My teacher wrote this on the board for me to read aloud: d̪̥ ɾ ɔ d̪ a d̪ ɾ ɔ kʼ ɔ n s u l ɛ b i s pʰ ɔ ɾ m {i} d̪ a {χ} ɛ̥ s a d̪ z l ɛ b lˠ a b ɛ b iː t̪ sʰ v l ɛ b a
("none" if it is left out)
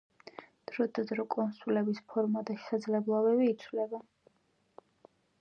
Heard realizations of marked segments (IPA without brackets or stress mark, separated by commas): a, ʃ